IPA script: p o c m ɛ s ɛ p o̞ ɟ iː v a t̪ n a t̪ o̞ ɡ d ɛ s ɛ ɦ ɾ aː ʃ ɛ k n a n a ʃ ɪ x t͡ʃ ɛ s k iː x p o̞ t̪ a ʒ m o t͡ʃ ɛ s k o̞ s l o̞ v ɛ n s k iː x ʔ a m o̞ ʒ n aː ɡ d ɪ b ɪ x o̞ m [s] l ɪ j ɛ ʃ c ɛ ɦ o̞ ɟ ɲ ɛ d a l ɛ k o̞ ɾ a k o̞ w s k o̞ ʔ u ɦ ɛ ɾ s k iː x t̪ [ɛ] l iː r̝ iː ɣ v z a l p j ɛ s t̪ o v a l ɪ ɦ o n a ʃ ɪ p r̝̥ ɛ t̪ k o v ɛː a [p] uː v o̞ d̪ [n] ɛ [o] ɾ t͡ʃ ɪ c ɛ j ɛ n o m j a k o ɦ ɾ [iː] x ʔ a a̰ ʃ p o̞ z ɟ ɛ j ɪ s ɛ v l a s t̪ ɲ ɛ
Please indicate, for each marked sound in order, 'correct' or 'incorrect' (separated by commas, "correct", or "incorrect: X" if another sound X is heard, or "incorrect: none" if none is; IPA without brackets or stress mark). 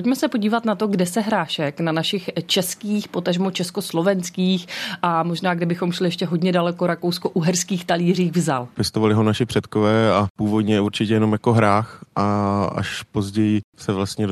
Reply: incorrect: ʃ, incorrect: a, correct, incorrect: ɲ, incorrect: u, incorrect: aː